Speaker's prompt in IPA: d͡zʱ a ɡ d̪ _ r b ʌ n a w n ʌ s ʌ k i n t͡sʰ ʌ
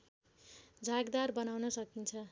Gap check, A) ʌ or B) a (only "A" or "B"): B